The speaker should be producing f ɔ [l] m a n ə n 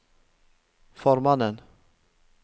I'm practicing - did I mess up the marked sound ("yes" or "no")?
yes